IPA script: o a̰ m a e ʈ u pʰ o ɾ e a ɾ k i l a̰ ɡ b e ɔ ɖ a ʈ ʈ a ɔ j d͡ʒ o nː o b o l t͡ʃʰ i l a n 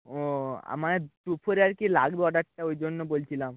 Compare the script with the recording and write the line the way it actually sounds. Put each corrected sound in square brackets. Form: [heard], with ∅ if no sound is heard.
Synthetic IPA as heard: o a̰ m a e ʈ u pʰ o ɾ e a ɾ k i l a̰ ɡ b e ɔ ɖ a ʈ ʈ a [o] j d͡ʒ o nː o b o l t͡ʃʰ i l a [m]

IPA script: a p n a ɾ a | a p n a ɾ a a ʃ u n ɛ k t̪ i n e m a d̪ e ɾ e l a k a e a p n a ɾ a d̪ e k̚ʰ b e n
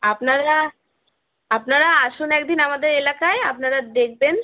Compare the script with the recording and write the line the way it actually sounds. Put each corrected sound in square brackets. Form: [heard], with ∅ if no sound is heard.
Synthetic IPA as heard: a p n a ɾ a | a p n a ɾ a a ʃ u n ɛ k [d̪] i n [a] m a d̪ e ɾ e l a k a e a p n a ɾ a d̪ e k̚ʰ b e n

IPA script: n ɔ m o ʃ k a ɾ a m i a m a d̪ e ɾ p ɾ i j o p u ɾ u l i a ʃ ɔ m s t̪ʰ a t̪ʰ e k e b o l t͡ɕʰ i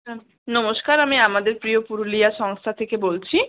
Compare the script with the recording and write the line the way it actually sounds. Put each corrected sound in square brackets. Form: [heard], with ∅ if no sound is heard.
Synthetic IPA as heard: n ɔ m o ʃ k a ɾ a m i a m a d̪ e ɾ p ɾ i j o p u ɾ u l i a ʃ ɔ [ŋ] s t̪ʰ a t̪ʰ e k e b o l t͡ɕʰ i

